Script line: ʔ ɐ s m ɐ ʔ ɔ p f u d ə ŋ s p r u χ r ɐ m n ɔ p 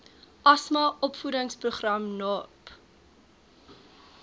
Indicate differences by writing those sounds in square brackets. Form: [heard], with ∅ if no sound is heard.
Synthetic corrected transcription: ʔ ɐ s m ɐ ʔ ɔ p f u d ə ŋ s p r u χ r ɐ m n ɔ p